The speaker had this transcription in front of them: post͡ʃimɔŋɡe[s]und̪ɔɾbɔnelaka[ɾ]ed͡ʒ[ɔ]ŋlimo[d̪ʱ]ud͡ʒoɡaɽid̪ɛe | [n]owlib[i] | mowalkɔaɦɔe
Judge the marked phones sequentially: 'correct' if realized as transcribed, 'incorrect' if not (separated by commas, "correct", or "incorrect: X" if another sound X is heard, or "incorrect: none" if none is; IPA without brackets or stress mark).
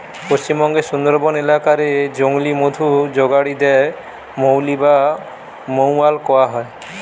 correct, correct, incorrect: o, correct, incorrect: m, incorrect: a